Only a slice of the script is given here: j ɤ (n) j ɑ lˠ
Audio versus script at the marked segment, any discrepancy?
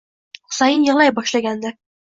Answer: no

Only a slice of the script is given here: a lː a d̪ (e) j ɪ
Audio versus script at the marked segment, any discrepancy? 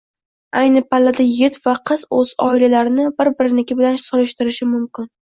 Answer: yes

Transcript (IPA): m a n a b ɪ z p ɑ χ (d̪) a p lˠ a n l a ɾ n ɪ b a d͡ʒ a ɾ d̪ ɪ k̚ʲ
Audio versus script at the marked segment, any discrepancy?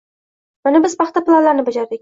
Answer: yes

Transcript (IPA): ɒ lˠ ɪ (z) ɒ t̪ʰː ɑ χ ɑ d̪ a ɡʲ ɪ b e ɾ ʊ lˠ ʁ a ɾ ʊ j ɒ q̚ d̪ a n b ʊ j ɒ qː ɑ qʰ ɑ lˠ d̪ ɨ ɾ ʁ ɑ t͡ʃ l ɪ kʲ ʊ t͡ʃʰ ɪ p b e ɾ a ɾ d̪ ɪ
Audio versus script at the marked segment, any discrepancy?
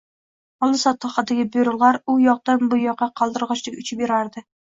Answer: yes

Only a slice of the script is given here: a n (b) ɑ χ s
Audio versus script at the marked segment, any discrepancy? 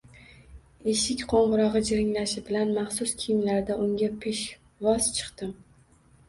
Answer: yes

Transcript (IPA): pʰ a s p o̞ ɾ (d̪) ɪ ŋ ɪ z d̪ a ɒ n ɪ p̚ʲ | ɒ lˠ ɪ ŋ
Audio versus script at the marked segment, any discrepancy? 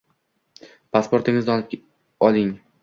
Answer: yes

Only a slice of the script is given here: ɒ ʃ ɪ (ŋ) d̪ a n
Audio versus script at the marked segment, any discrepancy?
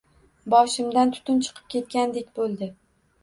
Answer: yes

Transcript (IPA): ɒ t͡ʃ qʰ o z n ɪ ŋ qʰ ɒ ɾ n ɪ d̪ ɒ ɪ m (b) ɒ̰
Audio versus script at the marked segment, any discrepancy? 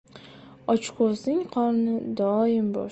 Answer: no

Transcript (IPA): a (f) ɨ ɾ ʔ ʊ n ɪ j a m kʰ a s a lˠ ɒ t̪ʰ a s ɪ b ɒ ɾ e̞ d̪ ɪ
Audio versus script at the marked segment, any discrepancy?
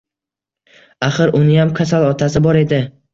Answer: yes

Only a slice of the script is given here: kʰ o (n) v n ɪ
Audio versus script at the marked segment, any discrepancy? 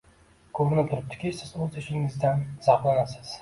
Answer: yes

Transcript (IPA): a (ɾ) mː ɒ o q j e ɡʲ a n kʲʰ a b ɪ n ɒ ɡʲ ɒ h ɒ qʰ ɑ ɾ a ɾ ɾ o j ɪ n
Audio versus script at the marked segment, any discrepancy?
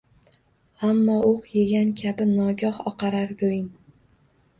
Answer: yes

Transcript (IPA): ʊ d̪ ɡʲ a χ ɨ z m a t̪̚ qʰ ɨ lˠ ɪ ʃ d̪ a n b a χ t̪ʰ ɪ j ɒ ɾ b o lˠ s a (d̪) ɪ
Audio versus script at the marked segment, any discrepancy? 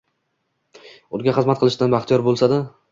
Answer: no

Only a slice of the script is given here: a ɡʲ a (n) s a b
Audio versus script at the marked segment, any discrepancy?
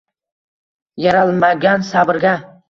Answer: no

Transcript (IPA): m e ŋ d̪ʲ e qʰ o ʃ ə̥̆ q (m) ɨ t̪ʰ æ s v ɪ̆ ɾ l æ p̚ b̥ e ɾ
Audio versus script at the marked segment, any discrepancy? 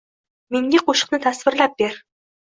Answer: yes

